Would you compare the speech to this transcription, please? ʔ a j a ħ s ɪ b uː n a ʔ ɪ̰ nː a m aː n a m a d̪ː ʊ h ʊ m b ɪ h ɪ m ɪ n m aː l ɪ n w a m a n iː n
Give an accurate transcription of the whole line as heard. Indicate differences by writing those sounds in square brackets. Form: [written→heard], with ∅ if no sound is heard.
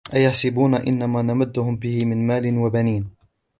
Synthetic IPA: ʔ a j a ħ s ɪ b uː n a ʔ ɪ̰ nː a m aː n a m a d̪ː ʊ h ʊ m b ɪ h ɪ m ɪ n m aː l ɪ n w a [m→b] a n iː n